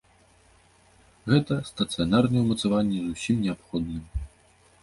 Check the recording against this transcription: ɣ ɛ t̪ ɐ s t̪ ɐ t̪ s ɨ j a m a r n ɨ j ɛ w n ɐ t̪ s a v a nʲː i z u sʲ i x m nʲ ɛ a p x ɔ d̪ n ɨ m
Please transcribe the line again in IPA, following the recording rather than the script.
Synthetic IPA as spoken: ɣ ɛ t̪ ɐ s t̪ ɐ t̪ s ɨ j a n a r n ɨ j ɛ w m ɐ t̪ s a v a nʲː ɛ z u sʲ i m nʲ ɛ a p x ɔ d̪ n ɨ m